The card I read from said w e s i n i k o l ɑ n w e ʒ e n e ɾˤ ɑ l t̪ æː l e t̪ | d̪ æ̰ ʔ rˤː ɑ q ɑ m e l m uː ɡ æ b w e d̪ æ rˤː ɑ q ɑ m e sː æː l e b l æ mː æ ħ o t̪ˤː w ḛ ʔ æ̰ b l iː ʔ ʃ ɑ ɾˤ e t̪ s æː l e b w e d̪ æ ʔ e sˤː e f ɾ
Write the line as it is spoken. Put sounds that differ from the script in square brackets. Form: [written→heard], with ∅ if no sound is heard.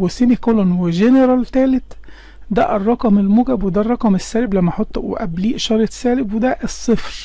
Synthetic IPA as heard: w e s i n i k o l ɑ n w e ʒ e n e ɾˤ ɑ l t̪ æː l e t̪ | d̪ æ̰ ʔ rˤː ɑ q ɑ m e l m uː ɡ æ b w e d̪ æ rˤː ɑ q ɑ m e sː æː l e b l æ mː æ ħ o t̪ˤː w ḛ ʔ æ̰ b l iː ʔ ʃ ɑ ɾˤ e t̪ s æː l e b w e d̪ æ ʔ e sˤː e f ɾ